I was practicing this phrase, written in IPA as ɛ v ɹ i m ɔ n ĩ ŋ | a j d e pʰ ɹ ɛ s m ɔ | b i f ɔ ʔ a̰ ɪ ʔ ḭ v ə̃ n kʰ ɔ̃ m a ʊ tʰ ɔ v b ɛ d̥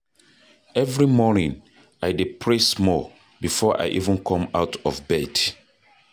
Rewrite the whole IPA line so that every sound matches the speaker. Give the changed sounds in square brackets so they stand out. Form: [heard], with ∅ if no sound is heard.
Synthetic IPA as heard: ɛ v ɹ i m ɔ n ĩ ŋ | a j d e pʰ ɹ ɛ s m ɔ | b i f ɔ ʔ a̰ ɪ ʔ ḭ v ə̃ n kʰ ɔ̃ m a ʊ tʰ ɔ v b ɛ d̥